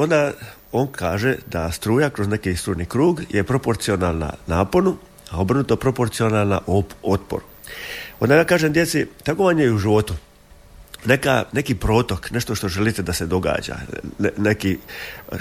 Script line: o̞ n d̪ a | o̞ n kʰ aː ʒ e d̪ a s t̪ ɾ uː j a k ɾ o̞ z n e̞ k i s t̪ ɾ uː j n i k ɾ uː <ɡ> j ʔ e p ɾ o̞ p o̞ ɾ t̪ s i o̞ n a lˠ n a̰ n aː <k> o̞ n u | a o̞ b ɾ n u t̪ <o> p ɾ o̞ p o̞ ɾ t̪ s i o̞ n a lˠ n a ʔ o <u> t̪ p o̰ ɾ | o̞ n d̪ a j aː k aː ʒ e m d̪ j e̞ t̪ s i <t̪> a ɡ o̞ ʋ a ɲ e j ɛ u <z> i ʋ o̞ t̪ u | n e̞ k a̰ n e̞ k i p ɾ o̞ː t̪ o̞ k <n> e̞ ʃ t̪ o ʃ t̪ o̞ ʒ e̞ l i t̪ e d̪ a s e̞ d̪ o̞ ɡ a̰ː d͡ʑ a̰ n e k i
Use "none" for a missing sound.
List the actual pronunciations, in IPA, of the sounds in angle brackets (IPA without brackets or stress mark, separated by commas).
ɡ, p, o, o, t̪, ʒ, n